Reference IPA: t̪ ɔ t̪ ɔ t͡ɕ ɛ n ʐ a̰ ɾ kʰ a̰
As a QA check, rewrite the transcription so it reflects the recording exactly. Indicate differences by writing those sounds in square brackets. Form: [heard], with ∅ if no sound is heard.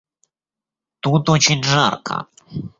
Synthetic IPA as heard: t̪ [u] t̪ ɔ t͡ɕ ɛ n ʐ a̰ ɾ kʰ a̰